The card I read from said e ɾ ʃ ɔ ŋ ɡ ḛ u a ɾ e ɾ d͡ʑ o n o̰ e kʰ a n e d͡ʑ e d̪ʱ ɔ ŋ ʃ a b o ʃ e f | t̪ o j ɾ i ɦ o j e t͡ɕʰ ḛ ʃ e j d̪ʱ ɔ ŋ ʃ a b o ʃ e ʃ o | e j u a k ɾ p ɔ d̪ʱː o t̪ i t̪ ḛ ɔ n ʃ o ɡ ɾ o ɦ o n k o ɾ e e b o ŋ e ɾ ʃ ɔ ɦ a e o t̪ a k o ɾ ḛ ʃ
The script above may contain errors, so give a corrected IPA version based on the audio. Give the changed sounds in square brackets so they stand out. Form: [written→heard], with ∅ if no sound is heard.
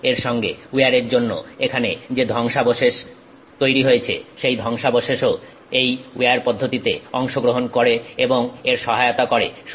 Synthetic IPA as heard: e ɾ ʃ ɔ ŋ ɡ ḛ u a ɾ e ɾ d͡ʑ o [n→nː] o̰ e kʰ a n e d͡ʑ e d̪ʱ ɔ ŋ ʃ a b o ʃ e [f→ʃ] | t̪ o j ɾ i ɦ o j e t͡ɕʰ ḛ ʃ e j d̪ʱ ɔ ŋ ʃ a b o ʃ e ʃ o | e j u a [k→∅] ɾ p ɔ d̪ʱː o t̪ i t̪ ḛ ɔ [n→ŋ] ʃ o ɡ ɾ o ɦ o n k o ɾ e e b o ŋ e ɾ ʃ ɔ ɦ a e o t̪ a k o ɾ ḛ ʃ